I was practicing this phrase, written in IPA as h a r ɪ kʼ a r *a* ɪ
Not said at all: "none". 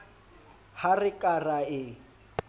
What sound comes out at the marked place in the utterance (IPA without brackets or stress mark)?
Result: a